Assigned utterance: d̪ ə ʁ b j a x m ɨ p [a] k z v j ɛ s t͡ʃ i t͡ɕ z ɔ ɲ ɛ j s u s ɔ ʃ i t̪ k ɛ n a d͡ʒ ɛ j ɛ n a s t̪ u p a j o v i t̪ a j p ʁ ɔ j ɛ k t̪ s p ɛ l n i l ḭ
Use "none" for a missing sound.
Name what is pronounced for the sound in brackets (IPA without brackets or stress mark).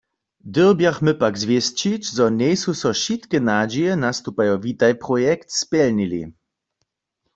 a